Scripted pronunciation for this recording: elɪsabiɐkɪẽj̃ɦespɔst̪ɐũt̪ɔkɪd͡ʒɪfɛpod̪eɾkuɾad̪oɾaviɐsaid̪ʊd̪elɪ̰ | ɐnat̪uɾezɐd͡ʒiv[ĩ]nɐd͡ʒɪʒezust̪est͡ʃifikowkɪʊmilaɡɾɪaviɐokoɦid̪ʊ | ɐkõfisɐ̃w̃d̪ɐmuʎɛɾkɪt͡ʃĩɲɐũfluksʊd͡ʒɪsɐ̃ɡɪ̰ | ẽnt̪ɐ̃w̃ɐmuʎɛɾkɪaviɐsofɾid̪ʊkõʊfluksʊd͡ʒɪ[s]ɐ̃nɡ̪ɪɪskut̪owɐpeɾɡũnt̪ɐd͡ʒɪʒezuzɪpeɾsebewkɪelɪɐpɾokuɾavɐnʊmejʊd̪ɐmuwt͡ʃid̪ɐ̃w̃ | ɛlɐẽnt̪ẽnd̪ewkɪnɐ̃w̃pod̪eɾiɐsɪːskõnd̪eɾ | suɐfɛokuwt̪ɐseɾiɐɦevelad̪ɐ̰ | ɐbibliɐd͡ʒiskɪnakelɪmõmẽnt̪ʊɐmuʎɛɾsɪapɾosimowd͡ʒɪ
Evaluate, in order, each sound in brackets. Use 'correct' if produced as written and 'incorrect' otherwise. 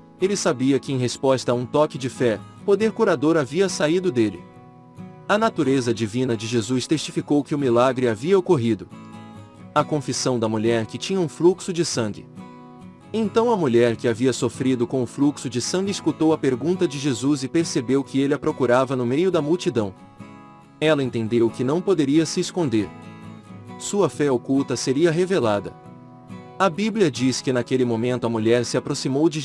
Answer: correct, correct

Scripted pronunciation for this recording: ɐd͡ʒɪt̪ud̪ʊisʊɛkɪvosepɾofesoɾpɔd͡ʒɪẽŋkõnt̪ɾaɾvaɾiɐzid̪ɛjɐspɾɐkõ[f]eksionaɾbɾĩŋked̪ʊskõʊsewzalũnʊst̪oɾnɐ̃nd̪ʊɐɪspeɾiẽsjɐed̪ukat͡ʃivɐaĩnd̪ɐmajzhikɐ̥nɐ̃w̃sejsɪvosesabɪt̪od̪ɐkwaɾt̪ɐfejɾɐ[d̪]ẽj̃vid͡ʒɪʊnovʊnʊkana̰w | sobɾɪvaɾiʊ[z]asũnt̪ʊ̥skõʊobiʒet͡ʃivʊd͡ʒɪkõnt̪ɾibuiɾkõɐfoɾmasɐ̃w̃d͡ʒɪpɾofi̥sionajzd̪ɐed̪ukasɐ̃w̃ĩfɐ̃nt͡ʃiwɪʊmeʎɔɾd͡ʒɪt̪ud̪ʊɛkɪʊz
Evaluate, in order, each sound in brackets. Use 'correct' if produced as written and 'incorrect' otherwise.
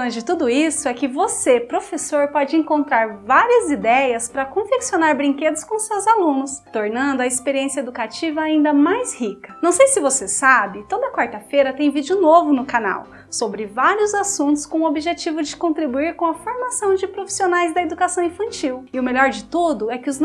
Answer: correct, incorrect: t̪, correct

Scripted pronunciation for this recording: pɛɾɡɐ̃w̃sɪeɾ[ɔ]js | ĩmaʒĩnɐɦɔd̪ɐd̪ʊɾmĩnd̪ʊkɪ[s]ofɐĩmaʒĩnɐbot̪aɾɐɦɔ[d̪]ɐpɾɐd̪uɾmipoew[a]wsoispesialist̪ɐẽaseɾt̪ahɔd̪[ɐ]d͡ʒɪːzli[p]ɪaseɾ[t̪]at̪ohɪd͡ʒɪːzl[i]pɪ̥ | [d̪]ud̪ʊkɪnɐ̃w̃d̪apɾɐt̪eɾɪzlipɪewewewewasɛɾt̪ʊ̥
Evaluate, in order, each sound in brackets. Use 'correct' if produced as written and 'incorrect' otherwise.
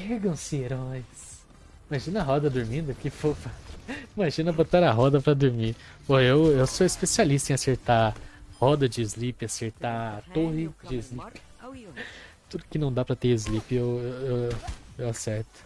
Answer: correct, incorrect: f, correct, incorrect: e, correct, correct, correct, correct, incorrect: t̪

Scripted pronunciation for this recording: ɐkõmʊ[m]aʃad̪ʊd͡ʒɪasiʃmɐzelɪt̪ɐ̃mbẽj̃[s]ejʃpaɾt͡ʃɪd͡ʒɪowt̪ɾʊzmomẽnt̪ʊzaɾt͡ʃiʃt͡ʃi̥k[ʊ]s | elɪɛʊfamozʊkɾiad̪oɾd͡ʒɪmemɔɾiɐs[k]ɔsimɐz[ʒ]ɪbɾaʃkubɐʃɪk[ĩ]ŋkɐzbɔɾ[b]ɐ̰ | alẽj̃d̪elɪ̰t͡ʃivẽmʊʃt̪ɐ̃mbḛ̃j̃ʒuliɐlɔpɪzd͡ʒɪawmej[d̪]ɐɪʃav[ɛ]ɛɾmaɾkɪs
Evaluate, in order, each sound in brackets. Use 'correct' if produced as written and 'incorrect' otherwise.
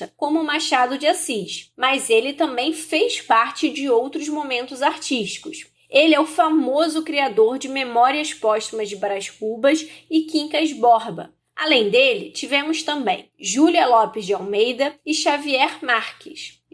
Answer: correct, incorrect: f, correct, incorrect: p, incorrect: d͡ʒ, correct, correct, correct, incorrect: i

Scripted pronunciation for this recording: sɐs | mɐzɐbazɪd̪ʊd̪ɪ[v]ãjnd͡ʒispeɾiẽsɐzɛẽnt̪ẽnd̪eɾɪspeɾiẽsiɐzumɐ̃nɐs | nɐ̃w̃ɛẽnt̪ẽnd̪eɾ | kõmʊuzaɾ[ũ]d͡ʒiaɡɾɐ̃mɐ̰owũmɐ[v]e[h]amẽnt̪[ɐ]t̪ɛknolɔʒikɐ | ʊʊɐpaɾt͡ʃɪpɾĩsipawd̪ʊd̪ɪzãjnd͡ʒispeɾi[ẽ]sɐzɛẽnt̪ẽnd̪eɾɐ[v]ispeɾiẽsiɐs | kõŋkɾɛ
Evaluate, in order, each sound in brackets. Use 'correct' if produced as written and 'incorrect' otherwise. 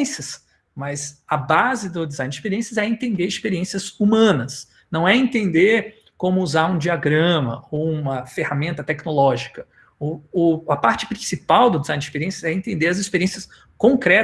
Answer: incorrect: z, correct, incorrect: f, correct, correct, correct, incorrect: z

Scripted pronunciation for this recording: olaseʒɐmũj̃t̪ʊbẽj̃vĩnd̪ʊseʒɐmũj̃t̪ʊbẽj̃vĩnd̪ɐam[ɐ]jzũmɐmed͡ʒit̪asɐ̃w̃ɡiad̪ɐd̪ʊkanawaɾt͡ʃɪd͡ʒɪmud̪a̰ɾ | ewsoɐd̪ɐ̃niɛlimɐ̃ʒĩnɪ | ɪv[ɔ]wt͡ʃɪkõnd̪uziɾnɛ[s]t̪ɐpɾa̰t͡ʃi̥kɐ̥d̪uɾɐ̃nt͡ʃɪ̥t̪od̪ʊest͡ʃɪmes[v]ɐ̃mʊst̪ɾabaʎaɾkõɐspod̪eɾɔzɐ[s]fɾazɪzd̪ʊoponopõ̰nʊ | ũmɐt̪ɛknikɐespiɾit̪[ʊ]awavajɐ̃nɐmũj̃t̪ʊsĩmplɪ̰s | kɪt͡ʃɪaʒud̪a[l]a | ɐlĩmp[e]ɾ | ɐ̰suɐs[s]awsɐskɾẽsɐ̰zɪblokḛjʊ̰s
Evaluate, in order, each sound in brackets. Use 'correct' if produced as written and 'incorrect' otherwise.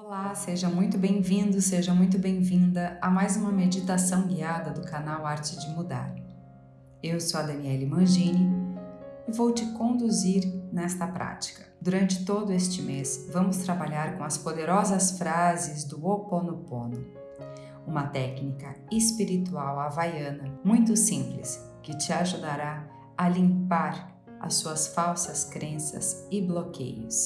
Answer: incorrect: a, incorrect: o, correct, correct, correct, incorrect: u, incorrect: ɾ, incorrect: a, incorrect: f

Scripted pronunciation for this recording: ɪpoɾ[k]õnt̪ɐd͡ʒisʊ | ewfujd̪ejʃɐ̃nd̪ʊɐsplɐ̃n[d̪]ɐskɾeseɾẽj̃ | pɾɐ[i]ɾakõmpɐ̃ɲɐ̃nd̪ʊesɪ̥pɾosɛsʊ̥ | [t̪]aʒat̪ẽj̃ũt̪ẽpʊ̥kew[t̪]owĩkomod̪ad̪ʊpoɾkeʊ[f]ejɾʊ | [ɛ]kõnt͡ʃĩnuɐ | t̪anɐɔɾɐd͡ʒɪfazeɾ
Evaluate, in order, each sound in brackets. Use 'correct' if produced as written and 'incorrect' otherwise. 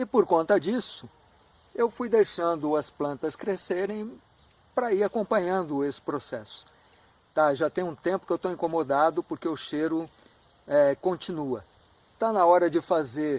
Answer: correct, incorrect: t̪, correct, correct, correct, incorrect: ʃ, correct

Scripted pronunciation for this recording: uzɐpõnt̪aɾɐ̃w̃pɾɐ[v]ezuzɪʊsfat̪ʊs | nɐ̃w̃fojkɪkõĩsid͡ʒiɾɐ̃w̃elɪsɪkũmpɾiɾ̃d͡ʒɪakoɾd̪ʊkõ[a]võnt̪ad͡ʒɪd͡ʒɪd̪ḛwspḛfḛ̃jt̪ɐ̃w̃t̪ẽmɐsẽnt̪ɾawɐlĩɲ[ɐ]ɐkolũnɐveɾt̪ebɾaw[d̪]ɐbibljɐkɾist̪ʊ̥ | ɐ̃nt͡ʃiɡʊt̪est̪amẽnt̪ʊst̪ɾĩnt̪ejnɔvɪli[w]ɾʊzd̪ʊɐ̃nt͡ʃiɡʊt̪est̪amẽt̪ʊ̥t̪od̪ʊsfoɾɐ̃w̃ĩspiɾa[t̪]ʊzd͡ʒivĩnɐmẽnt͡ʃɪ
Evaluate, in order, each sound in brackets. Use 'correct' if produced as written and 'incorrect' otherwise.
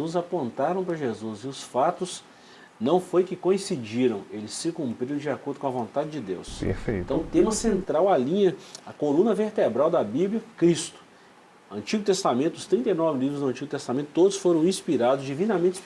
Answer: incorrect: ʒ, incorrect: ɐ, correct, correct, incorrect: v, incorrect: d̪

